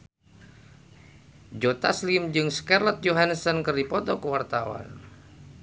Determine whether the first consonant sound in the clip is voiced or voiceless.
voiced